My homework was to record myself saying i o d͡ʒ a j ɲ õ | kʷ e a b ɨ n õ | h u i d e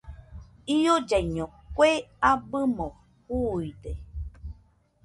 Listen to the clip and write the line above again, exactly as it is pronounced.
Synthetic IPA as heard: i o d͡ʒ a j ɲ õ | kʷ e a b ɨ m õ | h u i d e